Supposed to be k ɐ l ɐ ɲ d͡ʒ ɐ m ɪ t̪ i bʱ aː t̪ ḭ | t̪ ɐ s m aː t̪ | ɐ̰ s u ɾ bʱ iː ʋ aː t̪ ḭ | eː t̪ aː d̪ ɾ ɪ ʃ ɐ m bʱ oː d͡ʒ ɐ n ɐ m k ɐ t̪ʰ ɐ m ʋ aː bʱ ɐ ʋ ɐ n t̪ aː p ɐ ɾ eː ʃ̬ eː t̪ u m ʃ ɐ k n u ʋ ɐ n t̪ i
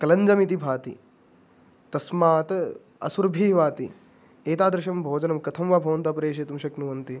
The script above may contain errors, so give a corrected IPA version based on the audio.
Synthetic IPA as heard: k ɐ l ɐ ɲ d͡ʒ ɐ m i t̪ i bʱ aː t̪ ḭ | t̪ ɐ s m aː t̪ | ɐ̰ s u ɾ bʱ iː ʋ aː t̪ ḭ | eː t̪ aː d̪ ɾ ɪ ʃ ɐ m bʱ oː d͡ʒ ɐ n ɐ m k ɐ t̪ʰ ɐ m ʋ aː bʱ ɐ ʋ ɐ n t̪ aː p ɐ ɾ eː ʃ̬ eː t̪ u m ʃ ɐ k n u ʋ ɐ n t̪ i